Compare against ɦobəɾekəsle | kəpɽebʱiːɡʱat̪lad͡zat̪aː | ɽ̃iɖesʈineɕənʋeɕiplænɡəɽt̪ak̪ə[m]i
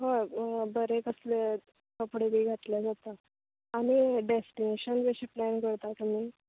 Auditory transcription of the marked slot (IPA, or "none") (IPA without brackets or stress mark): m